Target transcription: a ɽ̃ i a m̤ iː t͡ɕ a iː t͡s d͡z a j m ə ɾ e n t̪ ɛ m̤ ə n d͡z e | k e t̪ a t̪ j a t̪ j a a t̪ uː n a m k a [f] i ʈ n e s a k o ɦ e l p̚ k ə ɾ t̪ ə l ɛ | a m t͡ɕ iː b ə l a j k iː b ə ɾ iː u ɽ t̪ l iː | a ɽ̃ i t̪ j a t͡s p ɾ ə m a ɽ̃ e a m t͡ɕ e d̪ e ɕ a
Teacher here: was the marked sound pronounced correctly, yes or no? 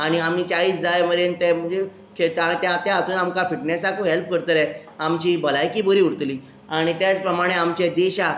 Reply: yes